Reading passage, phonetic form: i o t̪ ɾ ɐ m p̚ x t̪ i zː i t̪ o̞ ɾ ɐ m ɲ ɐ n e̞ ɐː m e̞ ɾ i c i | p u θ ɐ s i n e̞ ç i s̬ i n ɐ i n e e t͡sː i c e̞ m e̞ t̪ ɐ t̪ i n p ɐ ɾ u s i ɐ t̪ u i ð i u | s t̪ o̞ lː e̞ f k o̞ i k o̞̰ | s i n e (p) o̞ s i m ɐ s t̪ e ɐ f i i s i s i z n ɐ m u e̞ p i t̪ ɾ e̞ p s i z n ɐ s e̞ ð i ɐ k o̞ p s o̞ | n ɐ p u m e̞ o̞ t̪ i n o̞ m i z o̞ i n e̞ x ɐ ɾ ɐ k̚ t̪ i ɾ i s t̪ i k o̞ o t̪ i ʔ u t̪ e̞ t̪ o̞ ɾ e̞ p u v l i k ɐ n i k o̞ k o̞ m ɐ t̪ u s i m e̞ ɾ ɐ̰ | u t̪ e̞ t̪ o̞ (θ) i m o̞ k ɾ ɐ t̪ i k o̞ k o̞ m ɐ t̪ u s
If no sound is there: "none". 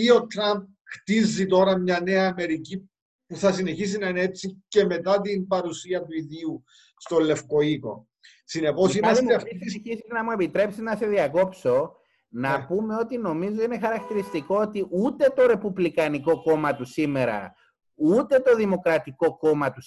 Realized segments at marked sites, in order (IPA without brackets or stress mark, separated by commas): p, ð